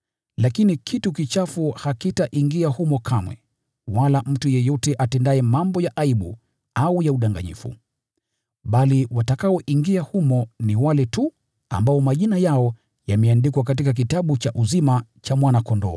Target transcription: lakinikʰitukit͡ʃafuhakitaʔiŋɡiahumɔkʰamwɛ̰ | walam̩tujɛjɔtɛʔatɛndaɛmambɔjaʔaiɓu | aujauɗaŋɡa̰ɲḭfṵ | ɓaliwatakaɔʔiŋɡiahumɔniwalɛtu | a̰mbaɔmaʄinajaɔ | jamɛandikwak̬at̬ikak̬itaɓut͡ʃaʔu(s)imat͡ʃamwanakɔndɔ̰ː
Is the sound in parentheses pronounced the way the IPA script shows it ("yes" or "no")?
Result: no